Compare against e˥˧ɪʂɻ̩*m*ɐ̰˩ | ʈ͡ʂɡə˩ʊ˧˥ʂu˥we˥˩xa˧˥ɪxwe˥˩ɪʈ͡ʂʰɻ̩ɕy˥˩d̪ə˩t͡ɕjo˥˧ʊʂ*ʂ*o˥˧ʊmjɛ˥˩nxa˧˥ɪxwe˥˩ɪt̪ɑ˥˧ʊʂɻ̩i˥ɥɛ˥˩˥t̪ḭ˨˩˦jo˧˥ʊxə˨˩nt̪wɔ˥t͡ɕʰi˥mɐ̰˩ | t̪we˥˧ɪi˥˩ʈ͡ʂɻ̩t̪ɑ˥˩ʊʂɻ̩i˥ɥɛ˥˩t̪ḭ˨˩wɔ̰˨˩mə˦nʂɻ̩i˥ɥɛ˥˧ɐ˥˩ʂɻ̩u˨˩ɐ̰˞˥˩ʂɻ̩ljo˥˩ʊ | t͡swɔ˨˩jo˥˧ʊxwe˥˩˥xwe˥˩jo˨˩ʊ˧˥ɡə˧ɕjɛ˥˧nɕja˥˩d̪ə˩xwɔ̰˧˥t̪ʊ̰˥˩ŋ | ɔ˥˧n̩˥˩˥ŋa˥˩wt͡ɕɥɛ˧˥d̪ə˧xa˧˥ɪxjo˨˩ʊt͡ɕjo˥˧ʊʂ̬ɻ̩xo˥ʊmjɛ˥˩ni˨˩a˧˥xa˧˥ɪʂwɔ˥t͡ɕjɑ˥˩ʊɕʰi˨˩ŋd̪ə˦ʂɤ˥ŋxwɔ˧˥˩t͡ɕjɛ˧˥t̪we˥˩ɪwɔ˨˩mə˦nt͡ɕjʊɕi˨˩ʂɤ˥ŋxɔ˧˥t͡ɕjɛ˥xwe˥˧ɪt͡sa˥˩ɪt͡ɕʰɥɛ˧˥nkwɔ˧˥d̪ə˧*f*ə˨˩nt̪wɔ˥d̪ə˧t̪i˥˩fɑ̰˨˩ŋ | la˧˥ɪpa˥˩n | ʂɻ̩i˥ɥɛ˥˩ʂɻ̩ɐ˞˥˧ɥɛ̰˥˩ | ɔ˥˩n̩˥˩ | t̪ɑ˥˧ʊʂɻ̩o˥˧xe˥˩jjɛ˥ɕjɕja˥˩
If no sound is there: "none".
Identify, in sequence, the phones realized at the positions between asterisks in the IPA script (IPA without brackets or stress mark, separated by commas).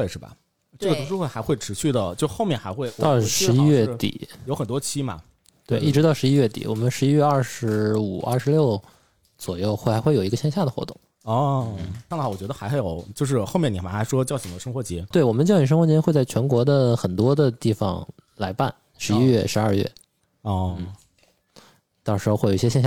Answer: b, x, x